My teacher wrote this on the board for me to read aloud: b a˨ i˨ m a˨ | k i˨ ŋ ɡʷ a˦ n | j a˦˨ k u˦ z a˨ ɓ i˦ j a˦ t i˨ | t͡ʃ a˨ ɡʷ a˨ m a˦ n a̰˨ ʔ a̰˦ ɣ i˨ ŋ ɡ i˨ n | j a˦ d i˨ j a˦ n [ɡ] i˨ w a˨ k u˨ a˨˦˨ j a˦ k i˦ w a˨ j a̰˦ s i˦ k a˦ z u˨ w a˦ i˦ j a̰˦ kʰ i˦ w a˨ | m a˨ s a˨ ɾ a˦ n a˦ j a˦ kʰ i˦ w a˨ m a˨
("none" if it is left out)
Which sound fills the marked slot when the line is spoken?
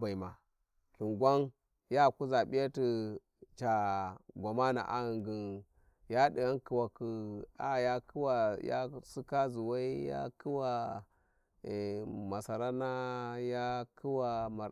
k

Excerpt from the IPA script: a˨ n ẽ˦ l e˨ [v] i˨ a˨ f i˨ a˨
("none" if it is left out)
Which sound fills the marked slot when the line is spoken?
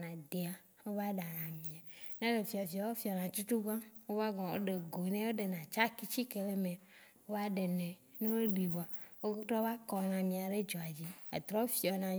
f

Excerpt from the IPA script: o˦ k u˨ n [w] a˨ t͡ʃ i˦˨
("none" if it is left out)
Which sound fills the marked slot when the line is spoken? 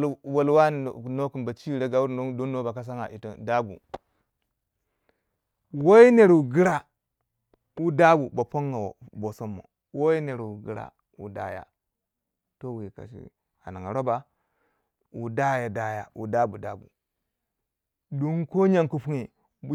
b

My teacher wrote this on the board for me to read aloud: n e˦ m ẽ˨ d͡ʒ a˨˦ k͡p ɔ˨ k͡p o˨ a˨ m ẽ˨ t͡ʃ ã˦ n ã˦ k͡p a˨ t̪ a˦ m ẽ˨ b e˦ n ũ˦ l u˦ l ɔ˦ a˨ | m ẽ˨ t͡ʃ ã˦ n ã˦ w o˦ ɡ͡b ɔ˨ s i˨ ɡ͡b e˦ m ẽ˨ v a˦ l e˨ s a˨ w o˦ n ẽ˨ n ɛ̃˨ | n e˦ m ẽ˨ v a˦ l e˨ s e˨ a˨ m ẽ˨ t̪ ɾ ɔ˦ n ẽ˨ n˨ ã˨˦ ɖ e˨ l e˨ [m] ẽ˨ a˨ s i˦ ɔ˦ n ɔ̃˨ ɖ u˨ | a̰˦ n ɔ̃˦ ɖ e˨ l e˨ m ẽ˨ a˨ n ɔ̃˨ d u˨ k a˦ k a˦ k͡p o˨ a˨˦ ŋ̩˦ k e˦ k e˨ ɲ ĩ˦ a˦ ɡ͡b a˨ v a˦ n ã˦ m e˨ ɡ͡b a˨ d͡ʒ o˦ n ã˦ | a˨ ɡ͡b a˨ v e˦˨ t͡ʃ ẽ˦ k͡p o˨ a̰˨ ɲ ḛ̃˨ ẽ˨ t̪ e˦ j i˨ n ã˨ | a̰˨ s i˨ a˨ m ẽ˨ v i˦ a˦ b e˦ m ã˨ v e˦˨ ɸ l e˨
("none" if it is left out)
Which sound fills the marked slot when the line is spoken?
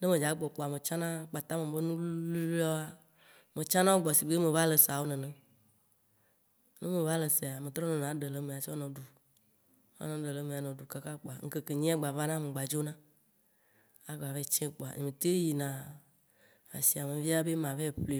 m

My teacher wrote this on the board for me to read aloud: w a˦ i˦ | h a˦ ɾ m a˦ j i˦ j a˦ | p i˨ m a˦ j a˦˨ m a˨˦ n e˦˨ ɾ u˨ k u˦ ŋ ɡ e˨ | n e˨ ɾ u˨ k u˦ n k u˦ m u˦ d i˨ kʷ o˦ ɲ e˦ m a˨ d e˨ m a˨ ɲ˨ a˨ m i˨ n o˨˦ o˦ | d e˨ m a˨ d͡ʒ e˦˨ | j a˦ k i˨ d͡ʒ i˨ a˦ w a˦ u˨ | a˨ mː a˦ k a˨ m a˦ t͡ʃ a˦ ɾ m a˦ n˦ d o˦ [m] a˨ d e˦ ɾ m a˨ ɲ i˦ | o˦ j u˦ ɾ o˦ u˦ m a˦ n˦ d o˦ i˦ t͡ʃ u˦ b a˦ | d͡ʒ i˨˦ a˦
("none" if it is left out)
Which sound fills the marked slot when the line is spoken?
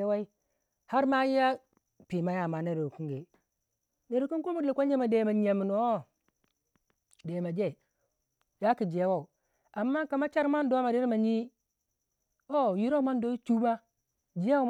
m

